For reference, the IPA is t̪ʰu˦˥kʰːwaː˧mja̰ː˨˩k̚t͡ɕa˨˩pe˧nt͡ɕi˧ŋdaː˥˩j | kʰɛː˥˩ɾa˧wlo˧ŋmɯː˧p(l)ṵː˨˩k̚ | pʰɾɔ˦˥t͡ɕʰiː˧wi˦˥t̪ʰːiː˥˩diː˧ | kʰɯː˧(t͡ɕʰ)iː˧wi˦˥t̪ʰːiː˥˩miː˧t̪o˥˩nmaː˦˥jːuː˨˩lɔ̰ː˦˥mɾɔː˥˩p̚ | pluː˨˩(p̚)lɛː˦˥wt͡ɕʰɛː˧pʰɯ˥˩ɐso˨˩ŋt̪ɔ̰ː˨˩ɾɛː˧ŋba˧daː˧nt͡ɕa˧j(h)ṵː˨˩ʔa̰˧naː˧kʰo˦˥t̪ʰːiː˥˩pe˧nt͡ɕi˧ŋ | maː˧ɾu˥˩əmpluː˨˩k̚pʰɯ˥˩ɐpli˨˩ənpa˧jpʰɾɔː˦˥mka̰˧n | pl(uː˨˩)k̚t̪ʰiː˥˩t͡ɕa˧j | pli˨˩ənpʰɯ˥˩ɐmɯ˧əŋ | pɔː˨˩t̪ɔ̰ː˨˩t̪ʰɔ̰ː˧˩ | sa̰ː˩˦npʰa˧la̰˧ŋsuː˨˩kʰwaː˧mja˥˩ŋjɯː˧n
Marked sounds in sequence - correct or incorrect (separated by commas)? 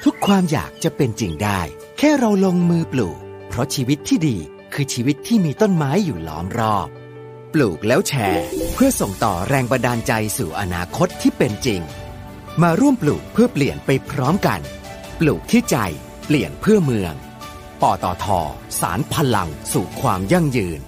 correct, correct, incorrect, incorrect, correct